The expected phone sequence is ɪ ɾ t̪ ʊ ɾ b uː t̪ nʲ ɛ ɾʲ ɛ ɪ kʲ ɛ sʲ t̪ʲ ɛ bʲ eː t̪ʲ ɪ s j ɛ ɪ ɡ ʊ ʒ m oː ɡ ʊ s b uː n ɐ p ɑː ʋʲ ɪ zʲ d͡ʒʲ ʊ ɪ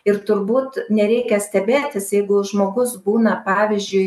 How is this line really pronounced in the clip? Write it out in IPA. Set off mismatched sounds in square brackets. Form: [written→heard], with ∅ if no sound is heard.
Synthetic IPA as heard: ɪ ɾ t̪ ʊ ɾ b uː t̪ nʲ ɛ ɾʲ ɛ ɪ kʲ ɛ sʲ t̪ʲ ɛ bʲ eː t̪ʲ ɪ s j ɛ ɪ ɡ ʊ ʒ m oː ɡ ʊ s b uː n ɐ p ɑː ʋʲ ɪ zʲ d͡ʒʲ ʊ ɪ